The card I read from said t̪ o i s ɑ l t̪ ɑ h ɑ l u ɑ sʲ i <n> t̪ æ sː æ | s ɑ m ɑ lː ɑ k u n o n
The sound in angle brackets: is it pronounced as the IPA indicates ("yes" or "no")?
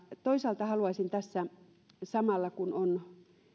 yes